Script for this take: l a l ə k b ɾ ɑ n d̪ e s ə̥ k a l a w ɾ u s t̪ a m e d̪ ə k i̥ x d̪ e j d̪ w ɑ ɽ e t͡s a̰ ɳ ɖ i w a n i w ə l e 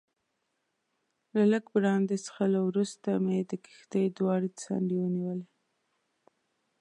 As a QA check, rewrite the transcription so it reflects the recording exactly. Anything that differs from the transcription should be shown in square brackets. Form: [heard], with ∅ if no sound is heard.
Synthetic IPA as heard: l a l ə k b ɾ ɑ n d̪ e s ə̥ [x] a l a w ɾ u s t̪ a m e d̪ ə k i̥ x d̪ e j d̪ w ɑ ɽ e t͡s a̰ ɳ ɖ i w [ə] n i w ə l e